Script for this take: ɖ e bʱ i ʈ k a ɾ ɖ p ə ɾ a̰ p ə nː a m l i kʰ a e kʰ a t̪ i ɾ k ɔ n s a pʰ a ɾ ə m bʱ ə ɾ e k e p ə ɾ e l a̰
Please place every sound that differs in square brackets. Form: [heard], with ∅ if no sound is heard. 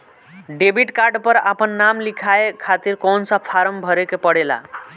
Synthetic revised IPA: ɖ e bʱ i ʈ k a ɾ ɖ p ə ɾ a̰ p ə nː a m l i kʰ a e kʰ a t̪ i ɾ k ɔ n s a pʰ a ɾ ə m bʱ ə ɾ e k e p ə [ɽ] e l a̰